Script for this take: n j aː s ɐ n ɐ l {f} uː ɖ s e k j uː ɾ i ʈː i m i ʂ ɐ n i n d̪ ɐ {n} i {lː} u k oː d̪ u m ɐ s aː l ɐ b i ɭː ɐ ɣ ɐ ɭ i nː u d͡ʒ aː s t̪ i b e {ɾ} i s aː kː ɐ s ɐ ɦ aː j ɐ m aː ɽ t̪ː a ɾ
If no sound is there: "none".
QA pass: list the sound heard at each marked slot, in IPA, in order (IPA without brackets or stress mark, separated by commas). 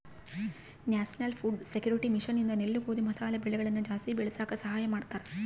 f, n, lː, ɭ